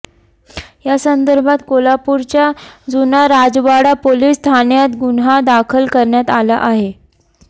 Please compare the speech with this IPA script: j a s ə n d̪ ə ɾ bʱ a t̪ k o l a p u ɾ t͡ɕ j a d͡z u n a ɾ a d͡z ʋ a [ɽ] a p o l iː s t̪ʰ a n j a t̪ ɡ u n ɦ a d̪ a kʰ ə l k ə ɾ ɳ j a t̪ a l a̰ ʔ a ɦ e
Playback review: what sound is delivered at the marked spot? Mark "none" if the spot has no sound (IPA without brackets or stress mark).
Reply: ɽ